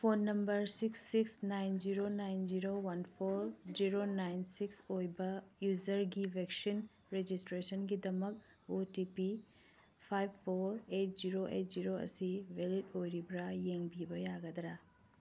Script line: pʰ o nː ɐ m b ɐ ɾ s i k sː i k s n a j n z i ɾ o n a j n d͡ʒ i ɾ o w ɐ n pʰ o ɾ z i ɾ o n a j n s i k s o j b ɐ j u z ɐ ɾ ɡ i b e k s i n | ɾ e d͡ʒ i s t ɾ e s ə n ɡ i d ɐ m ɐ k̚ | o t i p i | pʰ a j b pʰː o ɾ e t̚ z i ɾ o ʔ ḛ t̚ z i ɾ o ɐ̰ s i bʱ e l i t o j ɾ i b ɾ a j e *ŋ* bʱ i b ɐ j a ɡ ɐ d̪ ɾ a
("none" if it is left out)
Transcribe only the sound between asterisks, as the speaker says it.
ŋ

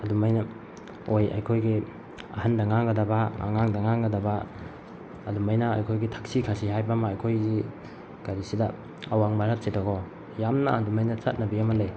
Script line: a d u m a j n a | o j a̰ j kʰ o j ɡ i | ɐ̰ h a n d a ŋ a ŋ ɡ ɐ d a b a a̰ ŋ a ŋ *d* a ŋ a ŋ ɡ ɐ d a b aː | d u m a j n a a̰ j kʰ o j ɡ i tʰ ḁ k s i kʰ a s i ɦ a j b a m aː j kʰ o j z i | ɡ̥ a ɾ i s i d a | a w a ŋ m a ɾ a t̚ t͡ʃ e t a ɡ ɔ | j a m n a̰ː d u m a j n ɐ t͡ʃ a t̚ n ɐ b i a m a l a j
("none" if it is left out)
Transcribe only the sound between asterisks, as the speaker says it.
d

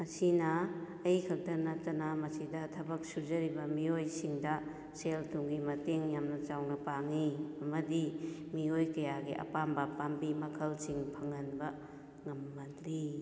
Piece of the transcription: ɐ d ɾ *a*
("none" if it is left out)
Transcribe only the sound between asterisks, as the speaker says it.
i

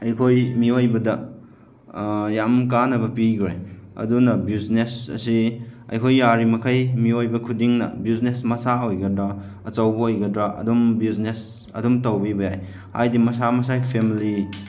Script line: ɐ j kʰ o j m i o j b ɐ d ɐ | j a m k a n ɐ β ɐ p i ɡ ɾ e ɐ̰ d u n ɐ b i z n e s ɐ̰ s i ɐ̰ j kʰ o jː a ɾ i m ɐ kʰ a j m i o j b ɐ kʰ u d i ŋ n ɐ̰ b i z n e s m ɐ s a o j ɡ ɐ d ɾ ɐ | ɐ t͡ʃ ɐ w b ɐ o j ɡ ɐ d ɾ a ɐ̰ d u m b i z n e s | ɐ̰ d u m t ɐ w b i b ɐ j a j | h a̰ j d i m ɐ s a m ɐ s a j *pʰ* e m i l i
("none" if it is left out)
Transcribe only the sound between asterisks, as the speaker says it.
pʰ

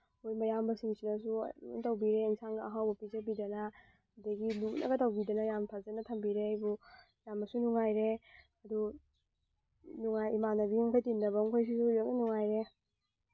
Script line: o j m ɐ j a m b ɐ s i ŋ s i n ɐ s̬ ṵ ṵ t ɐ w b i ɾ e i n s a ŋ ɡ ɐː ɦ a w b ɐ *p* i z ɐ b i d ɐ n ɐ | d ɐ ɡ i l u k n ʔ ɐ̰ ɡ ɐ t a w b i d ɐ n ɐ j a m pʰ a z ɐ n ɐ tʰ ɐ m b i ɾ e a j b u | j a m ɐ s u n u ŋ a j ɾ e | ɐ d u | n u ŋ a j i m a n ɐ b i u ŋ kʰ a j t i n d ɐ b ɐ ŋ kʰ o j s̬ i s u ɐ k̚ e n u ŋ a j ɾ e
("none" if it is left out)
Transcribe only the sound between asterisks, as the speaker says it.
p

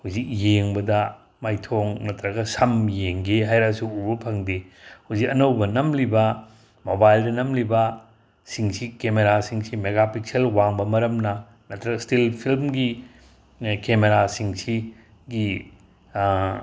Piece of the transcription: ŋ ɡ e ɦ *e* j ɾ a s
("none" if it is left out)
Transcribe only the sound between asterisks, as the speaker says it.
a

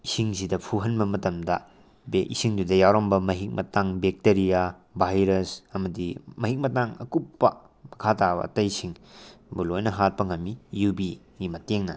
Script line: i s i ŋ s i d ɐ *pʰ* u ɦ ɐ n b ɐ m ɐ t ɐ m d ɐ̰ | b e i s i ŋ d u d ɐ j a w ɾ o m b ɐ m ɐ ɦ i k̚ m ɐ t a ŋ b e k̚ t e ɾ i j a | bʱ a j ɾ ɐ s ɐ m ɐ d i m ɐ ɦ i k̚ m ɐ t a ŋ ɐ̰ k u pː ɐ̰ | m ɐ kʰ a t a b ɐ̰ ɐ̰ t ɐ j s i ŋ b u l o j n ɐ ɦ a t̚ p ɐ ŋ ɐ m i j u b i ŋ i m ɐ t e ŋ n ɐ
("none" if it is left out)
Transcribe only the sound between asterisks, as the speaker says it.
pʰ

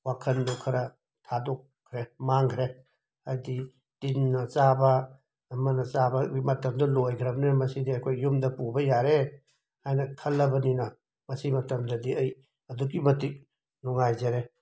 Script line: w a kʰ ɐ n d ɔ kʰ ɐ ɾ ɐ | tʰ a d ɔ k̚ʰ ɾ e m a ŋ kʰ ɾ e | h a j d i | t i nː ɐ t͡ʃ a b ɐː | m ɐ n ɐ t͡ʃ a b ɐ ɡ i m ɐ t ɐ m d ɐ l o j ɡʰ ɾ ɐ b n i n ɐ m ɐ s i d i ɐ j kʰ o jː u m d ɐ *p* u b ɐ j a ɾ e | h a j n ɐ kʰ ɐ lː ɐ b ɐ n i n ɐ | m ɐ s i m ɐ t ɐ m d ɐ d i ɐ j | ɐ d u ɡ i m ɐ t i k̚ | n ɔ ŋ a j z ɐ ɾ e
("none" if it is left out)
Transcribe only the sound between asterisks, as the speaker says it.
p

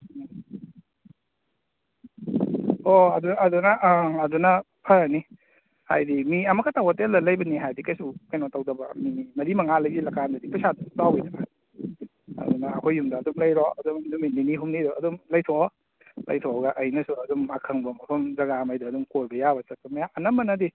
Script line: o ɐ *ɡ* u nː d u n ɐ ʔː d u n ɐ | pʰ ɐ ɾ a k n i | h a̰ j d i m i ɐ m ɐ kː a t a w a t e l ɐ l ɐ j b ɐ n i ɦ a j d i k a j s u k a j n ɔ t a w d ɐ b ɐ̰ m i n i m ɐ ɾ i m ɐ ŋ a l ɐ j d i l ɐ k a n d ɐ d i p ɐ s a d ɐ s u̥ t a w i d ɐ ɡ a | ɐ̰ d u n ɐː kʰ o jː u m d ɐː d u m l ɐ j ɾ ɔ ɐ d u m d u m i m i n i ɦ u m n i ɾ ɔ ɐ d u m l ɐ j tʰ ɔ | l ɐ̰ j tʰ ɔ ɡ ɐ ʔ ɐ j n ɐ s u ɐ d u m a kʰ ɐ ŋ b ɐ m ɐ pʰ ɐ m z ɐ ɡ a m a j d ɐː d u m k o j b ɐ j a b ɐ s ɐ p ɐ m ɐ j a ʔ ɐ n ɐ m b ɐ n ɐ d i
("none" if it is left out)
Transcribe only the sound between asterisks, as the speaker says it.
d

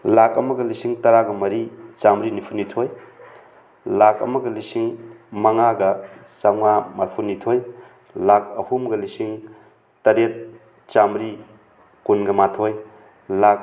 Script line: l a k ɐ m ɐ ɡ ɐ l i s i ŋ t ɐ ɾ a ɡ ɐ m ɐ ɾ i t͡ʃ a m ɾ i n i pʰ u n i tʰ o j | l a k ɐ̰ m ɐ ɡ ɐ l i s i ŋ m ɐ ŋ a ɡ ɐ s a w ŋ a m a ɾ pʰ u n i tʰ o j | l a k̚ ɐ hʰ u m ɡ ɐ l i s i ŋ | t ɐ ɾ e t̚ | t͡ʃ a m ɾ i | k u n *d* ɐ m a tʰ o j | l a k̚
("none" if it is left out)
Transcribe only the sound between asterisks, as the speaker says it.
ɡ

